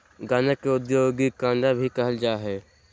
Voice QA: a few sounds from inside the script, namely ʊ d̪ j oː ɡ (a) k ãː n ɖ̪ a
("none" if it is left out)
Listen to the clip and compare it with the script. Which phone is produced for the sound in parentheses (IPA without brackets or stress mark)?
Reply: i